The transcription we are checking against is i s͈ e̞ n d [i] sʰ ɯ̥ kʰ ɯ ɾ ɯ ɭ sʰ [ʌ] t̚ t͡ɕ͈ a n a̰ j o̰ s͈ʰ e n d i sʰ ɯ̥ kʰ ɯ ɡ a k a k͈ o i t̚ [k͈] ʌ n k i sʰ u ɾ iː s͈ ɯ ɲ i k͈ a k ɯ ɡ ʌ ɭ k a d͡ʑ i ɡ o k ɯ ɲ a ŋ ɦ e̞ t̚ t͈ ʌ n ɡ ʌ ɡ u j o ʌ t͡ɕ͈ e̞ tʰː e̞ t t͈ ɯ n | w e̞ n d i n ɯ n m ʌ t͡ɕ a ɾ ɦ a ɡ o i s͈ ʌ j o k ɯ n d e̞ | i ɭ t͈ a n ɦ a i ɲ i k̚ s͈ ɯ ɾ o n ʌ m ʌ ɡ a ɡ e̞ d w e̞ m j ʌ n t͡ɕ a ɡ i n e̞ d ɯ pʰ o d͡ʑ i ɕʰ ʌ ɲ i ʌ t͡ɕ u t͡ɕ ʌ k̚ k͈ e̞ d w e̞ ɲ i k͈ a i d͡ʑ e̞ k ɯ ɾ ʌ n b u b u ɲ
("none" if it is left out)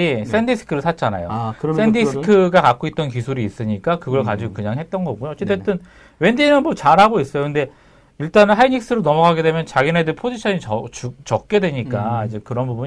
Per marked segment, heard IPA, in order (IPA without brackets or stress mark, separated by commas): i, a, t͈